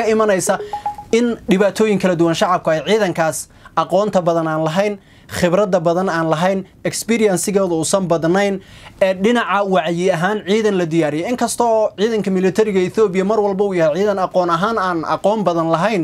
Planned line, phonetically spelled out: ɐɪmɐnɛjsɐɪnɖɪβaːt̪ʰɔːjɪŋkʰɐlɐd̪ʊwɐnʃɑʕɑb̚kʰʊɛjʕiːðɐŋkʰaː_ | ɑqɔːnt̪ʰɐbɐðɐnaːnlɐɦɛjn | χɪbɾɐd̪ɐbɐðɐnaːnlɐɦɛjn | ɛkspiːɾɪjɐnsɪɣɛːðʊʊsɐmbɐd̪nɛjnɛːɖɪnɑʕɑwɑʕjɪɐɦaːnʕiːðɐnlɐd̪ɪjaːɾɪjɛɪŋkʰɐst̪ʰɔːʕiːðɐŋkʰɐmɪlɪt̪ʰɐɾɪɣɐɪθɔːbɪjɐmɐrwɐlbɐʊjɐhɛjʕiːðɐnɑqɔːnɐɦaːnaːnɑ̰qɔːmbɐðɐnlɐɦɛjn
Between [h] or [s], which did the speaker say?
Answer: s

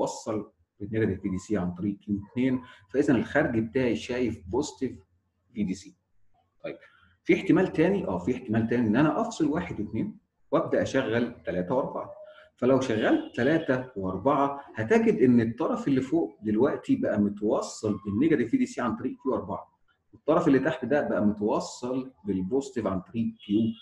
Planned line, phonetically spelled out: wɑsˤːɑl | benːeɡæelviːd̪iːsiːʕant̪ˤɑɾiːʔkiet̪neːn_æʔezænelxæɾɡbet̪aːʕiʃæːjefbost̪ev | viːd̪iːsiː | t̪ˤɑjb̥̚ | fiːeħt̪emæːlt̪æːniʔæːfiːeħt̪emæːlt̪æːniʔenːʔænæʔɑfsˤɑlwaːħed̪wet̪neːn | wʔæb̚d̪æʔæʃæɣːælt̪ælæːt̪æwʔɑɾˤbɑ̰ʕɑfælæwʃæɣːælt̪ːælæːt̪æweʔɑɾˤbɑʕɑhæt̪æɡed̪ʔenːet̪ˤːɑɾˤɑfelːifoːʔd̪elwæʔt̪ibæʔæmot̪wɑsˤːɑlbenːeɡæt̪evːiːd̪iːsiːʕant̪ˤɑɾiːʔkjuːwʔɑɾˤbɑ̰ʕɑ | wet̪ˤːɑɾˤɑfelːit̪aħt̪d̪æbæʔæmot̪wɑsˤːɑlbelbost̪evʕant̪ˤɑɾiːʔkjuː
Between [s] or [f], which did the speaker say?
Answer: f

